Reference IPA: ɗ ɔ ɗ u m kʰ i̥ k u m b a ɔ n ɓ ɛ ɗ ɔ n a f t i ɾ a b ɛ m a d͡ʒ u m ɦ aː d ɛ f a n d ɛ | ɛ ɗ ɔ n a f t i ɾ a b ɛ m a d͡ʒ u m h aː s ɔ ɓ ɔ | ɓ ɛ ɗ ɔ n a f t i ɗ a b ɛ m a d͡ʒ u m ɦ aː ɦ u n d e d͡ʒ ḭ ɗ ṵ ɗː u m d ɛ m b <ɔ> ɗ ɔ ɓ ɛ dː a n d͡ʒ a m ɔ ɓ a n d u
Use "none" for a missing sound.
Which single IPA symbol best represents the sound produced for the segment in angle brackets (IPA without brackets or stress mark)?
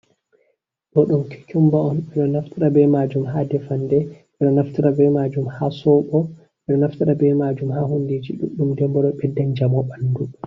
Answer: ɔ